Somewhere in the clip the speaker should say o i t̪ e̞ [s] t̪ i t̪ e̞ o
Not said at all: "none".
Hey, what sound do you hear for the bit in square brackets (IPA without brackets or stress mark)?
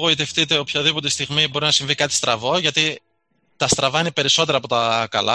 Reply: f